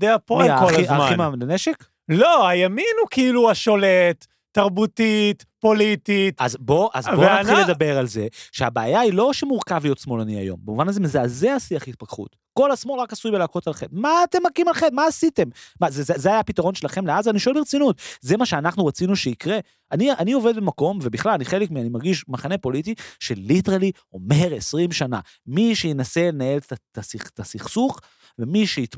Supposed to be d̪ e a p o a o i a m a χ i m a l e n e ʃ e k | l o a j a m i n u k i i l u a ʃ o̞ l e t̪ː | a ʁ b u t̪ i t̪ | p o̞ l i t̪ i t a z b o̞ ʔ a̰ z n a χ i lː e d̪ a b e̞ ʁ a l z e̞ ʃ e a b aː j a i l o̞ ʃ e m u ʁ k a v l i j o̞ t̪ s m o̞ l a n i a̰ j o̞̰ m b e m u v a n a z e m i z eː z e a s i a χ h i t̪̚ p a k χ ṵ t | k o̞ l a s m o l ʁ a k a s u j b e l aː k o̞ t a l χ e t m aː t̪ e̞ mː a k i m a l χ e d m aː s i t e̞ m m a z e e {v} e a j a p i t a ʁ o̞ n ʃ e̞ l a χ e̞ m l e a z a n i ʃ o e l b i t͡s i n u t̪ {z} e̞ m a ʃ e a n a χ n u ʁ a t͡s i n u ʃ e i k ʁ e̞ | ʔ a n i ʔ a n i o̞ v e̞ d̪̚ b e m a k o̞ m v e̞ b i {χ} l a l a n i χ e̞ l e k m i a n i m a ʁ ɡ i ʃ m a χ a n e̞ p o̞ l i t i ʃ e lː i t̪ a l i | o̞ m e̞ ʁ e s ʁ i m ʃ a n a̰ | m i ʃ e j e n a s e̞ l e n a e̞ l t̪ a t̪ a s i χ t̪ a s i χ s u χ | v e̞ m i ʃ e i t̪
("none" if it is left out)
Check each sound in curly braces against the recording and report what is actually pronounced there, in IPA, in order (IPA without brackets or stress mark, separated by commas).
z, z, χ